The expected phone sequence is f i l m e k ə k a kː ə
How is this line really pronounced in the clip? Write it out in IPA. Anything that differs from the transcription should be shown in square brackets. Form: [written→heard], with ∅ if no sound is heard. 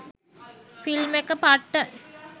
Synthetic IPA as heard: f i l m e k ə [k→p] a [kː→ʈː] ə